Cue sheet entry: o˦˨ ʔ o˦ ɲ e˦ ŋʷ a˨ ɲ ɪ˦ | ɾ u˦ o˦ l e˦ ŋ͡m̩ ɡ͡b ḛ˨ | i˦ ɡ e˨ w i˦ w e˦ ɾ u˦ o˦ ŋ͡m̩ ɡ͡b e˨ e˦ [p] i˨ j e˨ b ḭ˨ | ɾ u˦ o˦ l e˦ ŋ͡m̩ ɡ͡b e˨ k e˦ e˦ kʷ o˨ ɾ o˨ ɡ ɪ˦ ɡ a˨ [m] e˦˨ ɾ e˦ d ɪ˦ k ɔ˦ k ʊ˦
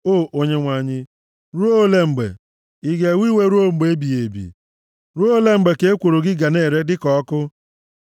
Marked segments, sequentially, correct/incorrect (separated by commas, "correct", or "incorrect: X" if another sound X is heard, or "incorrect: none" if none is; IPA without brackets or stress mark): incorrect: b, incorrect: n